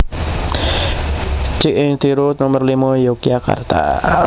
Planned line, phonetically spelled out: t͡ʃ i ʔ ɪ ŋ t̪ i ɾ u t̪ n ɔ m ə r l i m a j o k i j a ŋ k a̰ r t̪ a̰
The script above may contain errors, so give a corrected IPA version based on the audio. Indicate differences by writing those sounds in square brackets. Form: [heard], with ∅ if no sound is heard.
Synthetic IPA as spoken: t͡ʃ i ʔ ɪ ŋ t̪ i ɾ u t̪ n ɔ m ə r l i m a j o k i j a [∅] k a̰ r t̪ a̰